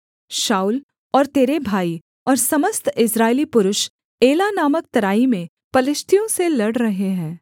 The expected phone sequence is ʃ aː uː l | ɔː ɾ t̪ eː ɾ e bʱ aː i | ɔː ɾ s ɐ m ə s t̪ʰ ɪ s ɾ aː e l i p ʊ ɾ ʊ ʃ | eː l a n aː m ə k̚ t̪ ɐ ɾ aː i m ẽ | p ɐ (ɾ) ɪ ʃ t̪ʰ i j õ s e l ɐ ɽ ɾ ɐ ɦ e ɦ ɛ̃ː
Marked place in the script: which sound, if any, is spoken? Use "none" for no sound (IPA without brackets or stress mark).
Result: l